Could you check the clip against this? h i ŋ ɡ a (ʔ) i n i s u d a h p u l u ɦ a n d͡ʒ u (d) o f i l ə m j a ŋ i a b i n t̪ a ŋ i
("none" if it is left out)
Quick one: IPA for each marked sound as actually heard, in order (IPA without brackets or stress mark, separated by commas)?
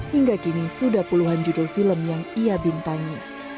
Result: k, d